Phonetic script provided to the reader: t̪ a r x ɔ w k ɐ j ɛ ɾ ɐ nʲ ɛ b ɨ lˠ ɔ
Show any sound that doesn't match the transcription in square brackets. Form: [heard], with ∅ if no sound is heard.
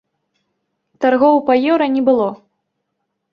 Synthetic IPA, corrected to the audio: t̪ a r [ɣ] ɔ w [p] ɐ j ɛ ɾ ɐ nʲ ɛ b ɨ lˠ ɔ